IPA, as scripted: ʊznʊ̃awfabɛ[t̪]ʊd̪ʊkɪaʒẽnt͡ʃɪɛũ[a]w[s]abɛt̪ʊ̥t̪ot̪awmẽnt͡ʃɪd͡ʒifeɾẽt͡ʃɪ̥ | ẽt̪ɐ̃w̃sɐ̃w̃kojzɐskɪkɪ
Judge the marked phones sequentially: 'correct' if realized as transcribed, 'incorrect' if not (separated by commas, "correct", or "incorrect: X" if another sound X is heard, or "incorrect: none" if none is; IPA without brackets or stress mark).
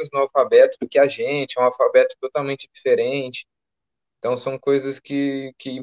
correct, correct, incorrect: f